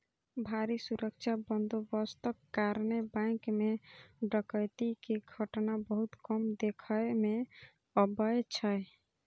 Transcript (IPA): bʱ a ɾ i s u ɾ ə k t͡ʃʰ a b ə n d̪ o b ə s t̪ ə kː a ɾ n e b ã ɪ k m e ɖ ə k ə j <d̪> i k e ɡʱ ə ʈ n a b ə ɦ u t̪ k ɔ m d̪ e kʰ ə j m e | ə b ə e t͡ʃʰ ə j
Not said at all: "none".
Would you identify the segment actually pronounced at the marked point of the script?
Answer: t̪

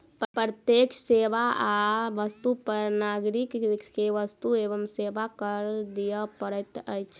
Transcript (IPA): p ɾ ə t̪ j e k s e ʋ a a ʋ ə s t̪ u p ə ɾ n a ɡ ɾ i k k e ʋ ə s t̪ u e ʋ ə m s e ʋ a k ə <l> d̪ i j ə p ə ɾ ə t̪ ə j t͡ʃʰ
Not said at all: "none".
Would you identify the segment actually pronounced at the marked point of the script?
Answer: ɾ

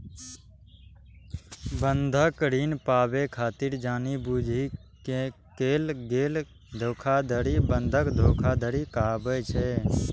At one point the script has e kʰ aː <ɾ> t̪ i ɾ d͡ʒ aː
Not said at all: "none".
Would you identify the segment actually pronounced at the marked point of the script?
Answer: none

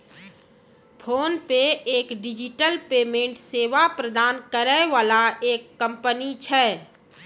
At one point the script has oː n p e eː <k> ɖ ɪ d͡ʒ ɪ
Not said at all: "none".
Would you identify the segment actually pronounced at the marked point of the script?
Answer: k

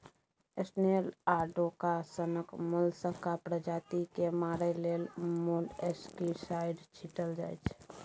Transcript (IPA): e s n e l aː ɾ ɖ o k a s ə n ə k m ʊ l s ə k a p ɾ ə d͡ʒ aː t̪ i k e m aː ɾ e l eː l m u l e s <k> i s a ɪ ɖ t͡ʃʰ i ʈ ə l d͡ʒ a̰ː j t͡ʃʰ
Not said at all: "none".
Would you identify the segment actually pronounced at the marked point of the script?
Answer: k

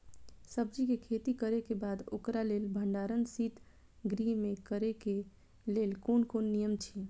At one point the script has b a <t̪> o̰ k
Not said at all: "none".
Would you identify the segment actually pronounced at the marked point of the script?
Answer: d̪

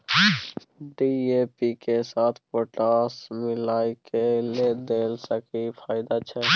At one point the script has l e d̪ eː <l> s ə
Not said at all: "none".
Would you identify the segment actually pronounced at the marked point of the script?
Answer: l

